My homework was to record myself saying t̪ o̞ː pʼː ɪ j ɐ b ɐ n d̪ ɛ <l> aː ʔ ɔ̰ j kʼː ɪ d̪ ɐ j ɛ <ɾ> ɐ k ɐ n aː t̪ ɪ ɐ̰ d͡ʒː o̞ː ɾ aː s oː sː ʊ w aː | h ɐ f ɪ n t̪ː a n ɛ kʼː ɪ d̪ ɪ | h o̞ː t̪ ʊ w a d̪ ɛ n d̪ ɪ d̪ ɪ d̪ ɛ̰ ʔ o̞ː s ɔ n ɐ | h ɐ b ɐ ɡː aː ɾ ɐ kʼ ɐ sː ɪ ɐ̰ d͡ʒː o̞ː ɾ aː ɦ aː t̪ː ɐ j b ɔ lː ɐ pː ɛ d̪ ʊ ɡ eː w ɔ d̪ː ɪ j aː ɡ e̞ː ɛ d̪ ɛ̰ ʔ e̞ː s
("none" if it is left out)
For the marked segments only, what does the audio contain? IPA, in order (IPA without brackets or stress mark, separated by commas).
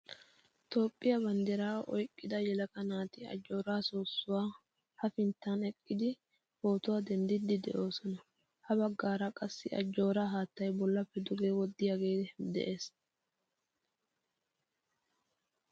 ɾ, l